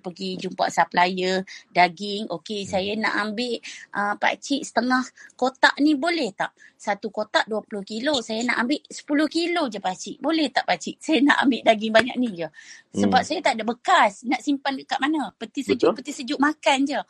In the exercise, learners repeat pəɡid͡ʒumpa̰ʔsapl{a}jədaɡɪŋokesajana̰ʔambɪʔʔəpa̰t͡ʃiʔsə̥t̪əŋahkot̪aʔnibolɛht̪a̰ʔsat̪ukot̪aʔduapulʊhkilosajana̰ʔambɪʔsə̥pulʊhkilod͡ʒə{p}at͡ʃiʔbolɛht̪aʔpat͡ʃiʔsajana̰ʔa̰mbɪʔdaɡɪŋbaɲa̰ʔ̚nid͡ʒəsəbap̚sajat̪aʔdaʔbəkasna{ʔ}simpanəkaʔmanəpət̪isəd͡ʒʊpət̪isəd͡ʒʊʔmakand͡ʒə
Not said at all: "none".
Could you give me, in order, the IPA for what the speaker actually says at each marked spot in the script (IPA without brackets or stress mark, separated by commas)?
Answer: a, p, ʔ